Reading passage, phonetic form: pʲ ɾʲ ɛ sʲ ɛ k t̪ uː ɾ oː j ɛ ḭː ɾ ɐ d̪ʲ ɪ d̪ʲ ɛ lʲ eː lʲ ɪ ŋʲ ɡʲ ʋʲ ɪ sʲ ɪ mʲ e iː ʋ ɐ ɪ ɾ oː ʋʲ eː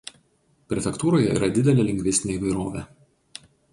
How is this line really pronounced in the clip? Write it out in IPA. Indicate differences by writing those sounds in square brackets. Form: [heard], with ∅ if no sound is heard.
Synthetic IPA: pʲ ɾʲ ɛ [fʲ] ɛ k t̪ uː ɾ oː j ɛ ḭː ɾ ɐ d̪ʲ ɪ d̪ʲ ɛ lʲ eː lʲ ɪ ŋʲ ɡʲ ʋʲ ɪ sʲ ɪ [nʲ] e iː ʋ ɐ ɪ ɾ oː ʋʲ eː